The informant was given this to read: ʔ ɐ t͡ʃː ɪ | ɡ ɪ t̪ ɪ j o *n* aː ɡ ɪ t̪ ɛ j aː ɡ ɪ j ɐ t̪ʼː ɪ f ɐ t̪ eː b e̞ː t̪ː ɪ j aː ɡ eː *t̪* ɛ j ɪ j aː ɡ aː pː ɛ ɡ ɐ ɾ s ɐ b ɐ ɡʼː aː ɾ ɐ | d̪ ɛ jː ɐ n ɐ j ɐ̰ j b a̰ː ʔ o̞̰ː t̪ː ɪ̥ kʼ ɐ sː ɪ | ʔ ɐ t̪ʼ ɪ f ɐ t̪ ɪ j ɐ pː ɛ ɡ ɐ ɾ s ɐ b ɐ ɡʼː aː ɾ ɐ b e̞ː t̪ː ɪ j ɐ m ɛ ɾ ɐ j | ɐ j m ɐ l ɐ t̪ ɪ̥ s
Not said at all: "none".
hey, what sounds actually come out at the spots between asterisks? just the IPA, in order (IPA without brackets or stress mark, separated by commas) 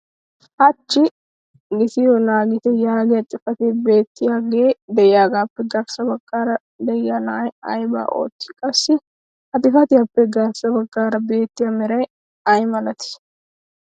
n, d̪